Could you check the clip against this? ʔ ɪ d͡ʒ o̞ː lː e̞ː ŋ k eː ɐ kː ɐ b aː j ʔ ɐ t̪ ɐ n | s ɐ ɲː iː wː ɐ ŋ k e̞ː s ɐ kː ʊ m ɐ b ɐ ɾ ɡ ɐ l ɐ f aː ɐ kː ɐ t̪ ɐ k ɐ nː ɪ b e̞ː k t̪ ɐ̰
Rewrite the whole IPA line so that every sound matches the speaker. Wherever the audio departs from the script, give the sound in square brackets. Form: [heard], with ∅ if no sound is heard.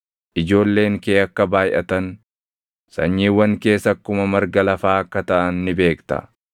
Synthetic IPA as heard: ʔ ɪ d͡ʒ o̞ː lː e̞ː ŋ k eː ɐ kː ɐ b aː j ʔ ɐ t̪ ɐ n | s ɐ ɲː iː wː ɐ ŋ k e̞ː s ɐ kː ʊ m ɐ [m] ɐ ɾ ɡ ɐ l ɐ f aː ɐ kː ɐ t̪ ɐ [ʔ] ɐ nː ɪ b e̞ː k t̪ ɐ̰